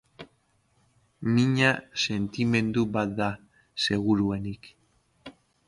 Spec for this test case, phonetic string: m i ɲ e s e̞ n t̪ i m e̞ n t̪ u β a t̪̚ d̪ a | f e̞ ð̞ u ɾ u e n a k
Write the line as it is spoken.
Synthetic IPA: m i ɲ a s e̞ n t̪ i m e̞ n d̪ u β a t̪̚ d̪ a | s e̞ ɣ̞ u ɾ u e n i k